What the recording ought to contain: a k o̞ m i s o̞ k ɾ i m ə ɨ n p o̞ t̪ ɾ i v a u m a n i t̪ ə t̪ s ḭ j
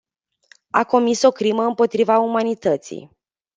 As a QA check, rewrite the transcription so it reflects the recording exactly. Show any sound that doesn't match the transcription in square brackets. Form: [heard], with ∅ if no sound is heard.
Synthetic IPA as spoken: a k o̞ m i s o̞ k ɾ i m ə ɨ [m] p o̞ t̪ ɾ i v a u m a n i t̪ ə t̪ s ḭ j